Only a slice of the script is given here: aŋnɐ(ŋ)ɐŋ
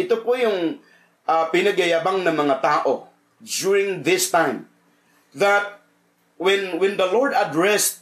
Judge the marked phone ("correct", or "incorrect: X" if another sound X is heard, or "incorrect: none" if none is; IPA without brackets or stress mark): incorrect: m